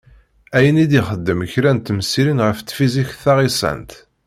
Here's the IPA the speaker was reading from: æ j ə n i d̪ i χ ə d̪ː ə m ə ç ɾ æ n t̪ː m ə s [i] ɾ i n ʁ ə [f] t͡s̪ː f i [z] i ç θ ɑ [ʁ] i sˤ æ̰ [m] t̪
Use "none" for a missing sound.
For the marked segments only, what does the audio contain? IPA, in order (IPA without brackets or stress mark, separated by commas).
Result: i, f, z, ʁ, n